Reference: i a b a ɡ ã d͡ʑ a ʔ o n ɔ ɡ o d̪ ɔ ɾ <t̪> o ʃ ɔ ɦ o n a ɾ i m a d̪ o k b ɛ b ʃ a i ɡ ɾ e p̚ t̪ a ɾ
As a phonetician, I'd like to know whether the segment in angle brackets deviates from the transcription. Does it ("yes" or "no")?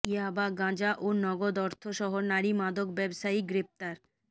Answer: yes